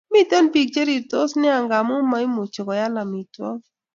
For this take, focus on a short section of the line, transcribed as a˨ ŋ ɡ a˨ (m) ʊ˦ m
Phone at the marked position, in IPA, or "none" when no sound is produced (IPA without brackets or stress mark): m